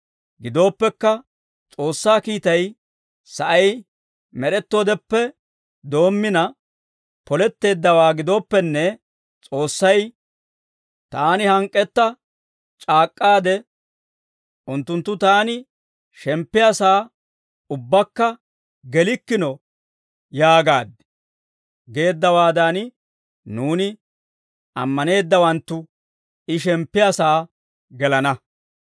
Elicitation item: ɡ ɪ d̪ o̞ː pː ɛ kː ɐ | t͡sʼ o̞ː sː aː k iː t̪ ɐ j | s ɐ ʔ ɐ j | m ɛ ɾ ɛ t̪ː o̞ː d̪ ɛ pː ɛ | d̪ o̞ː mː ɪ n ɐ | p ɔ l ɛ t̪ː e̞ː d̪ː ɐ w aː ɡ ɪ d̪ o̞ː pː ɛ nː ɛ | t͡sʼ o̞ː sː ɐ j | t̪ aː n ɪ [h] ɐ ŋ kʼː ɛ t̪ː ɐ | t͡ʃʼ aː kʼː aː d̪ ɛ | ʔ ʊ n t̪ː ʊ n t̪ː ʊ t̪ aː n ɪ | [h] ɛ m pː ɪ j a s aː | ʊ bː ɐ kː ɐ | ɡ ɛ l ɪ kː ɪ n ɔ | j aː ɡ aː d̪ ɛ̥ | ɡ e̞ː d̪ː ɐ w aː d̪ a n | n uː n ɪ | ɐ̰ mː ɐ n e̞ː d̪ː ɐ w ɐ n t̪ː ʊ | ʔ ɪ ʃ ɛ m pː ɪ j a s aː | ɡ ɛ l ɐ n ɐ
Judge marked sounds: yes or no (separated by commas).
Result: yes, no